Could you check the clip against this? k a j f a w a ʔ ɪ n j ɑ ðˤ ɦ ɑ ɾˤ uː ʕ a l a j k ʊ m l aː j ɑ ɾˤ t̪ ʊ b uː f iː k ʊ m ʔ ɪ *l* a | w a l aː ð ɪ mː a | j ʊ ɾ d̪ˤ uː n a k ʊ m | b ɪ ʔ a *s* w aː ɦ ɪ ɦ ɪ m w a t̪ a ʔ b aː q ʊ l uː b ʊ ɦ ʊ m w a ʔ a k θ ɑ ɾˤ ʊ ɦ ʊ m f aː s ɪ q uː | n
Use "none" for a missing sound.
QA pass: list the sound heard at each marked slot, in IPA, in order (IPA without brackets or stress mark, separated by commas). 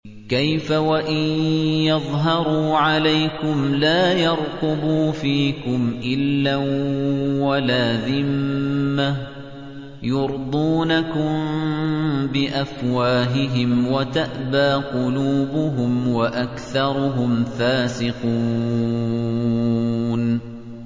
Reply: lː, f